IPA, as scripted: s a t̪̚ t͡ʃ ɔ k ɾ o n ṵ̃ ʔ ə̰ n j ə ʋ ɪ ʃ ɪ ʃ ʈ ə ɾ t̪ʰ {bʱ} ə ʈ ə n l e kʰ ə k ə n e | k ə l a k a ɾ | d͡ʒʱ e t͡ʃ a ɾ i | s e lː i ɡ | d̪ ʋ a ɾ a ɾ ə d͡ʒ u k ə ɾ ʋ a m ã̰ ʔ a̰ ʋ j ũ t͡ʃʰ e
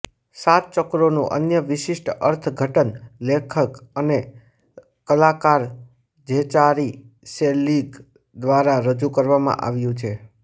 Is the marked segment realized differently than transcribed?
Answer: yes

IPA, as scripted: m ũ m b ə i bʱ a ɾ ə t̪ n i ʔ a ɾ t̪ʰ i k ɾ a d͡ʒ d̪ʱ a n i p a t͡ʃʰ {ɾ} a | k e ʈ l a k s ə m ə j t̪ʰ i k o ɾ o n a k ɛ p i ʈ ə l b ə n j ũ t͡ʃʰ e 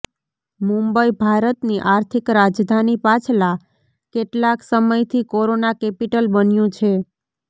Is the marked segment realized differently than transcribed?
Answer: yes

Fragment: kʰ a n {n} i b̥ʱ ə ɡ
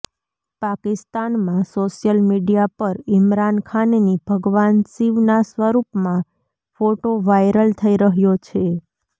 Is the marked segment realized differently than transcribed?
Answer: no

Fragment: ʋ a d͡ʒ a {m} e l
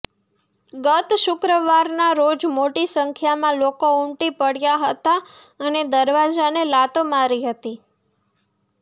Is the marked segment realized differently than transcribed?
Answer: yes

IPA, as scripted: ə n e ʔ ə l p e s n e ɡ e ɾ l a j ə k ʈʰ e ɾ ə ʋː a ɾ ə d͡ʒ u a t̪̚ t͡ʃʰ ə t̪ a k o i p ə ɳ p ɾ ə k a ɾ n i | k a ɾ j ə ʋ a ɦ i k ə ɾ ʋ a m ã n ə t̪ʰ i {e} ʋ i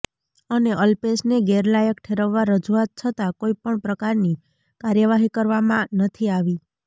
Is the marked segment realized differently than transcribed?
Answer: yes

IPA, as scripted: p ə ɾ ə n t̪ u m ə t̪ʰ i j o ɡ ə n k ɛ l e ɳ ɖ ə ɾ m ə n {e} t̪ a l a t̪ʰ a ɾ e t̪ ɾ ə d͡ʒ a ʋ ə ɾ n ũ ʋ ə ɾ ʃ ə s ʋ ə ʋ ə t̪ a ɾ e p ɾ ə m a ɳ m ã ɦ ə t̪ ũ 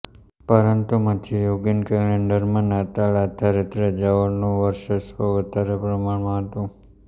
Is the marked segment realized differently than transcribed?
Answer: yes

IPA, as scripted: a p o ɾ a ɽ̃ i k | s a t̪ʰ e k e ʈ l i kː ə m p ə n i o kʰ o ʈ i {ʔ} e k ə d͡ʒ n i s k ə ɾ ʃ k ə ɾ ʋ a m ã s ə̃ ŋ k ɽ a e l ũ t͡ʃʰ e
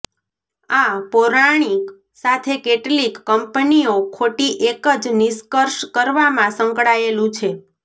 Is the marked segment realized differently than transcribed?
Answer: no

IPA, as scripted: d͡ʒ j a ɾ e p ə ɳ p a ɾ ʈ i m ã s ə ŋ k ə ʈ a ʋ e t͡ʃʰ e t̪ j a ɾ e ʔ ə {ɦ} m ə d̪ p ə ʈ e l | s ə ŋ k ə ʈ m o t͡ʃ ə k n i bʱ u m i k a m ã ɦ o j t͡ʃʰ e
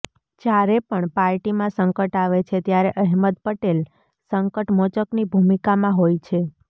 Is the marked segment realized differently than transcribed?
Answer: no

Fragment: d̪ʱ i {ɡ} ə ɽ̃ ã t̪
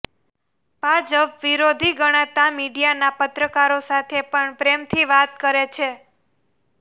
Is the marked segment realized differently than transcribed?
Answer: no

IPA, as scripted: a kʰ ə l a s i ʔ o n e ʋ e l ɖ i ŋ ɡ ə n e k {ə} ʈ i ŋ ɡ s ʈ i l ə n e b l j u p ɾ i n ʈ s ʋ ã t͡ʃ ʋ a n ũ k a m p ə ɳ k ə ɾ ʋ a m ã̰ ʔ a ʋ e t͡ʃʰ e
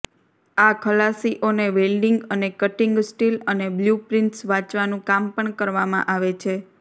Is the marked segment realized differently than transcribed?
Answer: no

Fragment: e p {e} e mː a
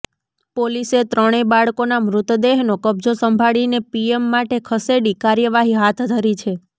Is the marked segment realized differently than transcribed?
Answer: yes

